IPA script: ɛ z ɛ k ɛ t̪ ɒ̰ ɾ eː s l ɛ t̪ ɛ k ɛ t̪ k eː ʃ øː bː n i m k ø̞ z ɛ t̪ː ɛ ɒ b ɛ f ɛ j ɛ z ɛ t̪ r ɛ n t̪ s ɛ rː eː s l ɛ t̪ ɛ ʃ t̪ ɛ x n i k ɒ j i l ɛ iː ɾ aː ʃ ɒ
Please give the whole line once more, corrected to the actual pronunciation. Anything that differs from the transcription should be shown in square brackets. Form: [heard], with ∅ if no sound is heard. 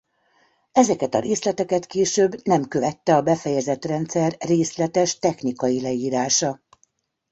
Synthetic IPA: ɛ z ɛ k ɛ t̪ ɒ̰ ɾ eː s l ɛ t̪ ɛ k ɛ t̪ k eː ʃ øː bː n [ɛ] m k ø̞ [v] ɛ t̪ː ɛ ɒ b ɛ f ɛ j ɛ z ɛ t̪ r ɛ n t̪ s ɛ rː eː s l ɛ t̪ ɛ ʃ t̪ ɛ x n i k ɒ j i l ɛ iː ɾ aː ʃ ɒ